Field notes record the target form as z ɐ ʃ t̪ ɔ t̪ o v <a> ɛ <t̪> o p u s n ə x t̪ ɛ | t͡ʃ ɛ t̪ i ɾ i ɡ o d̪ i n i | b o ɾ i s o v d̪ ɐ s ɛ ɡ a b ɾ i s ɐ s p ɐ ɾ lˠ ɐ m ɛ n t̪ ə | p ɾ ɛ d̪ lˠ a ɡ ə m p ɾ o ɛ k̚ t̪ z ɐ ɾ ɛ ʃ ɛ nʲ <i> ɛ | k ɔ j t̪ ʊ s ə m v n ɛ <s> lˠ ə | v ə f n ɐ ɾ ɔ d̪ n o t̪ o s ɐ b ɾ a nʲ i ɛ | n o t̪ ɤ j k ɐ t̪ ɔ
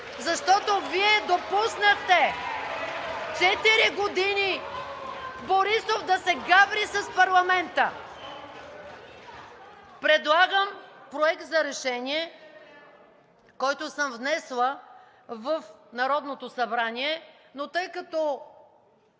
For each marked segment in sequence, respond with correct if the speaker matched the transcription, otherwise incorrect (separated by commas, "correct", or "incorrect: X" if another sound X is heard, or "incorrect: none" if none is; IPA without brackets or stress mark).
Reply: incorrect: i, incorrect: d̪, correct, correct